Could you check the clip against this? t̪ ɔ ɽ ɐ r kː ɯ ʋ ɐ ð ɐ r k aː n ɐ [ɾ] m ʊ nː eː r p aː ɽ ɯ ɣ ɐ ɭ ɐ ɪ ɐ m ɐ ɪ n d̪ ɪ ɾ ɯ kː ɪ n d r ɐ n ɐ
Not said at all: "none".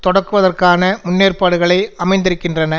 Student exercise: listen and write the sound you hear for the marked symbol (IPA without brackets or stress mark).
none